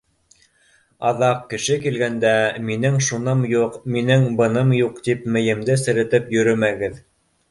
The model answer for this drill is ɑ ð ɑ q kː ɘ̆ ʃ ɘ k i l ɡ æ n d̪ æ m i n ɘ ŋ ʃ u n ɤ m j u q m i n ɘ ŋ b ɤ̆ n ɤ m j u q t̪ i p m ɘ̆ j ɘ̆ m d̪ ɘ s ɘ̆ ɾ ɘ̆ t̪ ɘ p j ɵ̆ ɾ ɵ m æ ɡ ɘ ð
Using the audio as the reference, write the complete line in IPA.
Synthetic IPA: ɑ ð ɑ q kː ɘ̆ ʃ ɘ k i l ɡ æ n d̪ æ m i n ɘ ŋ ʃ u n ɤ m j u q m i n ɘ ŋ b ɤ̆ n ɤ m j u q t̪ i p m ɘ̆ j ɘ̆ m d̪ ɘ s ɘ̆ ɾ ɘ̆ t̪ ɘ p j ɵ̆ ɾ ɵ m æ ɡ ɘ ð